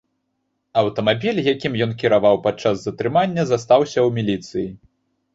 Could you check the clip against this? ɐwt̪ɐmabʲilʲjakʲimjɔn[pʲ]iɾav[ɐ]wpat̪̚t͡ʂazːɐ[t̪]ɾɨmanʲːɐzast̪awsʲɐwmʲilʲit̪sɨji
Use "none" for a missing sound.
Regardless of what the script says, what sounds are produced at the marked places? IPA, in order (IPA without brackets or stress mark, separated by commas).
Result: kʲ, a, t̪